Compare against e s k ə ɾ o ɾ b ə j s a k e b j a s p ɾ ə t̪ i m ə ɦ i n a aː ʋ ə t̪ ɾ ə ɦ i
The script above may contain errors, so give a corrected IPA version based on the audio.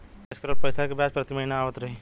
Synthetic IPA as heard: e s k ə ɾ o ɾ p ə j s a k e b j a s p ɾ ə t̪ i m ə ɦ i n a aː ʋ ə t̪ ɾ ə ɦ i

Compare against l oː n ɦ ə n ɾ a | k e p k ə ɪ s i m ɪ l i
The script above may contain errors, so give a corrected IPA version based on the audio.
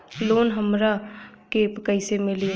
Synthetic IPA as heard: l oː n ɦ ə m ɾ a | k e p k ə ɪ s e m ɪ l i

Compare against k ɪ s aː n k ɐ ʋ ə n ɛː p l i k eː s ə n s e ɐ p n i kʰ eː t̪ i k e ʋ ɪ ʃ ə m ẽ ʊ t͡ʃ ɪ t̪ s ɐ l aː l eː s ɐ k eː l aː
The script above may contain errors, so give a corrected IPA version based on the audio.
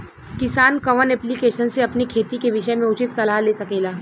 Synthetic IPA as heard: k ɪ s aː n k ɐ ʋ ə n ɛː p l i k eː ʃ ə n s e ɐ p n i kʰ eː t̪ i k e ʋ ɪ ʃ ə m ẽ ʊ t͡ʃ ɪ t̪ s ɐ l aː l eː s ɐ k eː l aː

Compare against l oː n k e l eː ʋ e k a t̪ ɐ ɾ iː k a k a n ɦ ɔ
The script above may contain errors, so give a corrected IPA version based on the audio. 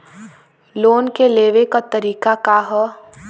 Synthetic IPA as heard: l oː n k e l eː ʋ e k a t̪ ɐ ɾ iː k a k a ɦ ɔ

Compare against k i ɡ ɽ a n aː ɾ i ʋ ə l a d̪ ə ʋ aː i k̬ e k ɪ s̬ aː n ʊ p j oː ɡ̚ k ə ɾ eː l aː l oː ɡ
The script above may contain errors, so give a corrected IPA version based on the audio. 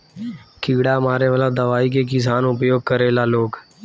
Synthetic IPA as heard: k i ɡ ɽ a m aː ɾ e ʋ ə l a d̪ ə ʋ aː i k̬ e k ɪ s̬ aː n ʊ p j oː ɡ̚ k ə ɾ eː l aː l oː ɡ

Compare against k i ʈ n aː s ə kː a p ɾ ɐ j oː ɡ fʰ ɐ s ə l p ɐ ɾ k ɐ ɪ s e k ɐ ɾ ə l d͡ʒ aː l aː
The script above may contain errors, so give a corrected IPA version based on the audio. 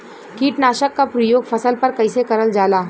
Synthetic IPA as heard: k iː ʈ n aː ʃ ə kː a p ɾ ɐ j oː ɡ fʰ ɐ s ə l p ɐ ɾ k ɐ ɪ s e k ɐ ɾ ə l d͡ʒ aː l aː

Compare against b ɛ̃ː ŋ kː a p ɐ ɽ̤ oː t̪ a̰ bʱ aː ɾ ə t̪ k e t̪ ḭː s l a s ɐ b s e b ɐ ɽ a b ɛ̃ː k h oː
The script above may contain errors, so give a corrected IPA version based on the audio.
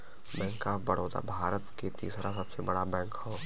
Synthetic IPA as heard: b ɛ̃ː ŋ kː a b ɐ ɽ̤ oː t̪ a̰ bʱ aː ɾ ə t̪ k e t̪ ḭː s ɾ a s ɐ b s e b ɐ ɽ a b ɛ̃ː k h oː

